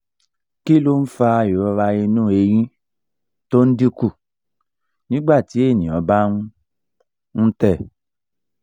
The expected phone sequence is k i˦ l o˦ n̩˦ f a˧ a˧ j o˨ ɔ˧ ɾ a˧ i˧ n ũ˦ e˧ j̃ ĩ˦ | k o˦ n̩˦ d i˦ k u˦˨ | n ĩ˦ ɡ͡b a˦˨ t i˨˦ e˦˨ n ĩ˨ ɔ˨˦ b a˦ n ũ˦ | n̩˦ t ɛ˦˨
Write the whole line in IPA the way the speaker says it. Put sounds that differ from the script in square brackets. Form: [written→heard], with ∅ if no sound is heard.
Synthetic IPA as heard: k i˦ l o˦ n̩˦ f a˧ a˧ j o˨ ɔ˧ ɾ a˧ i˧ n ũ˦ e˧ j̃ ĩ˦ | [k→t] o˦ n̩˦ d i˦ k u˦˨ | n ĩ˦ ɡ͡b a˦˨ t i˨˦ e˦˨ n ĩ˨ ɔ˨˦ b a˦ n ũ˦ | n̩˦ t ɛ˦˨